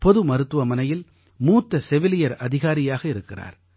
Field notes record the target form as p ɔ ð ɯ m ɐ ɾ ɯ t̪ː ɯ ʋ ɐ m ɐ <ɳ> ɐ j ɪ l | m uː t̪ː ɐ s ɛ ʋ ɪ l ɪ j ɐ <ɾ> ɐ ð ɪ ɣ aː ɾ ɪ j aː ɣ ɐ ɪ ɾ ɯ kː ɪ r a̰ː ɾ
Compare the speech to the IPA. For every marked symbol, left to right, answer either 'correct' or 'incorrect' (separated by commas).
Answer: incorrect, correct